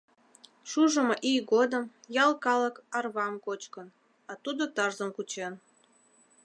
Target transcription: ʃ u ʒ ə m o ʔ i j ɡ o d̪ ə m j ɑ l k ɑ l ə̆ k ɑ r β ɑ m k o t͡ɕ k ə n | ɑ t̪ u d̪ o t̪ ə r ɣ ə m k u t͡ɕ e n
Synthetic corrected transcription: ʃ u ʒ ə m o ʔ i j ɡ o d̪ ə m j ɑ l k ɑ l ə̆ k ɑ r β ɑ m k o t͡ɕ k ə n | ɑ t̪ u d̪ o t̪ ɑ r z ə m k u t͡ɕ e n